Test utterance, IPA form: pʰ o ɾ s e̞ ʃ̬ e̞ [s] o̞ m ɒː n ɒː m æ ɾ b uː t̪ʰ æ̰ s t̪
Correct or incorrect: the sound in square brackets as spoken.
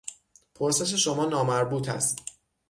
incorrect: ʃ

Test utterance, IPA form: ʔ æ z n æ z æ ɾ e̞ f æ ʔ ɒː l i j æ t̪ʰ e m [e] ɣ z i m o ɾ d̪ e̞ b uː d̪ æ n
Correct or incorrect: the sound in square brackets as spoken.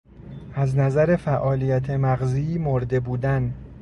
incorrect: æ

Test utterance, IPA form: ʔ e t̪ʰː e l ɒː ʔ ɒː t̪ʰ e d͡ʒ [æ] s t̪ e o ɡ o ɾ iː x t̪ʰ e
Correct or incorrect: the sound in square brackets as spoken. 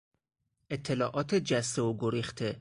correct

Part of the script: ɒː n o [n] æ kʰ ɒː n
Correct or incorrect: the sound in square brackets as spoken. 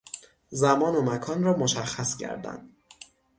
incorrect: m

